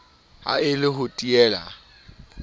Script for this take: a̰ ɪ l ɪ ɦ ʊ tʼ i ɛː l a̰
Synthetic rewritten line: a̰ ɪ l ɪ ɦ ʊ tʼ i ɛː l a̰